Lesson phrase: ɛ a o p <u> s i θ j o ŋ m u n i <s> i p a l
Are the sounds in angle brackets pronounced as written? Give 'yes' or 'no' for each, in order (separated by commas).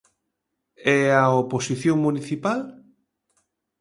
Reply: no, no